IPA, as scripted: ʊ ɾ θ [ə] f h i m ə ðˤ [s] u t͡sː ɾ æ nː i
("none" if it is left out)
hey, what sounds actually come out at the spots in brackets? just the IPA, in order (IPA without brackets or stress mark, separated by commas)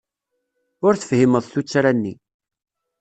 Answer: ə, θ